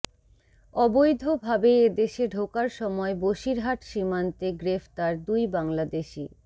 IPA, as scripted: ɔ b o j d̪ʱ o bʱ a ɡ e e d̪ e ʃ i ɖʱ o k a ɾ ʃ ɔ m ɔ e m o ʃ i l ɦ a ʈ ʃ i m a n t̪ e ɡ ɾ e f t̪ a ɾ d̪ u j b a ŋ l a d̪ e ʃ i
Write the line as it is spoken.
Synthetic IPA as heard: ɔ b o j d̪ʱ o bʱ a b e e d̪ e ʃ e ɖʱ o k a ɾ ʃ ɔ m ɔ e b o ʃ i ɾ ɦ a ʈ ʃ i m a n t̪ e ɡ ɾ e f t̪ a ɾ d̪ u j b a ŋ l a d̪ e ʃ i